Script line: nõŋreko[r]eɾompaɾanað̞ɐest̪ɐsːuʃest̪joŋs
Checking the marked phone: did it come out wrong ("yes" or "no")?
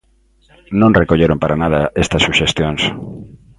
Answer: yes